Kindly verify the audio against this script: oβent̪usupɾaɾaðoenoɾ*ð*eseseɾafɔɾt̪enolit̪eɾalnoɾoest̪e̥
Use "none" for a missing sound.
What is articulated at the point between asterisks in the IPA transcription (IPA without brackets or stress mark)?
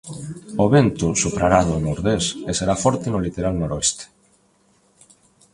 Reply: ð